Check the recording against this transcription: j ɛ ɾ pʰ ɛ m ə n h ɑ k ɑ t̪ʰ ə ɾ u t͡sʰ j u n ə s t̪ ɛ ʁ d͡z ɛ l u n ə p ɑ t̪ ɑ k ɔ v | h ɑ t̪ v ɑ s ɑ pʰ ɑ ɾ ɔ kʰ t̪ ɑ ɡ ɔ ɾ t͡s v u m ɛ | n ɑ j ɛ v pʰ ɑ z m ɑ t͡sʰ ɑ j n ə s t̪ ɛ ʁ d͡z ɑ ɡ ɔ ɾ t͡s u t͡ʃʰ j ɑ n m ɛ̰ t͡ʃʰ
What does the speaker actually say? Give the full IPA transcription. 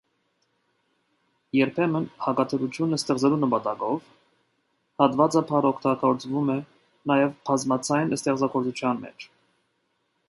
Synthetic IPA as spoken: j ɛ ɾ pʰ ɛ m ə n h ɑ k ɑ t̪ʰ ə ɾ u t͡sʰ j u n ə s t̪ ɛ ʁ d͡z ɛ l u n ə p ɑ t̪ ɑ k ɔ v | h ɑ t̪ v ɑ t͡s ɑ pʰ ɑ ɾ ɔ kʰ t̪ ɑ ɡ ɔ ɾ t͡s v u m ɛ | n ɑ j ɛ v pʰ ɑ z m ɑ t͡sʰ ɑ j n ə s t̪ ɛ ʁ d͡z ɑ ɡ ɔ ɾ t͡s u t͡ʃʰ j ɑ n m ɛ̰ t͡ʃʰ